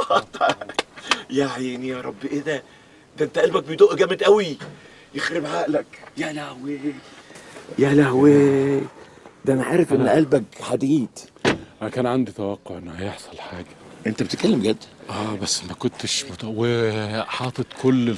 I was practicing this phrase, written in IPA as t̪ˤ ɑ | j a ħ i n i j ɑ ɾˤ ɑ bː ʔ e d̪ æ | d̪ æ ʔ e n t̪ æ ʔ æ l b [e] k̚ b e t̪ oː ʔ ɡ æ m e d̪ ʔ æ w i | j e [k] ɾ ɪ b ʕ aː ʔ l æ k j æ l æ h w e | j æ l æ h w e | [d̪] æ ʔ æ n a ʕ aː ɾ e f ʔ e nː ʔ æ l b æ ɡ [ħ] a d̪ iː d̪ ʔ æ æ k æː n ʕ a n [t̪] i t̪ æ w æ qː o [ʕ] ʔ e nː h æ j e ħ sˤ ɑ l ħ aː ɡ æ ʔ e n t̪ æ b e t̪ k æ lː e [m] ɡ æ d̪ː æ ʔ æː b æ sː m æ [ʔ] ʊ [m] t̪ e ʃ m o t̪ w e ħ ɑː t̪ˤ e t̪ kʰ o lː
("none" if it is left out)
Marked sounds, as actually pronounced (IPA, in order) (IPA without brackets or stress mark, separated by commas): æ, x, d̪, ħ, d̪, ʕ, m, k, n